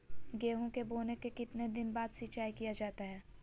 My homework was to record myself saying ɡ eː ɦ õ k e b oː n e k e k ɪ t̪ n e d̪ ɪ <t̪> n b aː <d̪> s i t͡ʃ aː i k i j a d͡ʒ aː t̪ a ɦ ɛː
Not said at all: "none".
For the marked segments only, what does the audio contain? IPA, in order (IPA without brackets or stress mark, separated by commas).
none, d̪